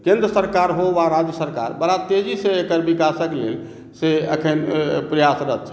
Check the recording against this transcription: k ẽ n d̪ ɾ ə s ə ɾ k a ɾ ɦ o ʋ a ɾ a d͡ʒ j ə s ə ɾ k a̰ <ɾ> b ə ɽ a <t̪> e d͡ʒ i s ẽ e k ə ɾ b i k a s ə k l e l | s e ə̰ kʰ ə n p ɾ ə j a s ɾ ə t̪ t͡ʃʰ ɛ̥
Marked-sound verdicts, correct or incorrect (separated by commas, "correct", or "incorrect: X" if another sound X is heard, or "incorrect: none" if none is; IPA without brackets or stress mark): correct, correct